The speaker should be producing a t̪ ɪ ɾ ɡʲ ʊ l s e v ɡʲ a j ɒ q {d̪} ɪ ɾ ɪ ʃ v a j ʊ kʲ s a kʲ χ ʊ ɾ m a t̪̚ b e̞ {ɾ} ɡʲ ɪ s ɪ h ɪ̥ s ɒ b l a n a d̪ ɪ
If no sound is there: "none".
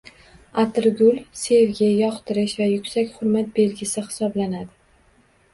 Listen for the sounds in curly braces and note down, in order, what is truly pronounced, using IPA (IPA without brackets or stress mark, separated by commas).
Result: t̪, l